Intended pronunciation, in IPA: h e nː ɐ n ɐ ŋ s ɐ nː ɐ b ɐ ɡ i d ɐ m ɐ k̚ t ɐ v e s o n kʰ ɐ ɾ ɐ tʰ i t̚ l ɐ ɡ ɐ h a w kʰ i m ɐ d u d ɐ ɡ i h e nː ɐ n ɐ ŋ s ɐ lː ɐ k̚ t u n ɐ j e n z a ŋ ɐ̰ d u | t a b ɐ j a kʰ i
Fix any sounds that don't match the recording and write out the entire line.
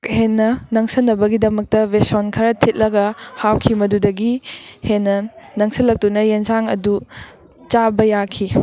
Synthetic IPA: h e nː ɐ n ɐ ŋ s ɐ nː ɐ b ɐ ɡ i d ɐ m ɐ k̚ t ɐ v e s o n kʰ ɐ ɾ ɐ tʰ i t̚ l ɐ ɡ ɐ h a w kʰ i m ɐ d u d ɐ ɡ i h e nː ɐ n ɐ ŋ s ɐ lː ɐ k̚ t u n ɐ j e n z a ŋ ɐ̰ d u | t͡ʃ a b ɐ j a kʰ i